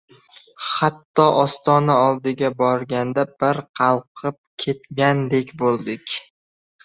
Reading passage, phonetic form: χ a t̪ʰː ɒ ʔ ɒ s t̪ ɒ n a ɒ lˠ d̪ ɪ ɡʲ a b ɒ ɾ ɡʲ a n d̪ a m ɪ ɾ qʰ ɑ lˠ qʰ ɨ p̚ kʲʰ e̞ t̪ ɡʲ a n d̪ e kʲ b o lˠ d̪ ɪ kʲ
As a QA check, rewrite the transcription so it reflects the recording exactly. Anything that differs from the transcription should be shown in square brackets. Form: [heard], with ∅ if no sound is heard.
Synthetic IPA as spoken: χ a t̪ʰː ɒ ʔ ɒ s t̪ ɒ n a ɒ lˠ d̪ ɪ ɡʲ a b ɒ ɾ ɡʲ a n d̪ a [b] ɪ ɾ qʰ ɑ lˠ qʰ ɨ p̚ kʲʰ e̞ t̪ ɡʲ a n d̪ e kʲ b o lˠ d̪ ɪ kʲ